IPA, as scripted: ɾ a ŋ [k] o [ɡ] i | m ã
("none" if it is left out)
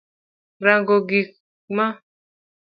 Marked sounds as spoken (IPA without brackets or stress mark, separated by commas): ɡ, ɡ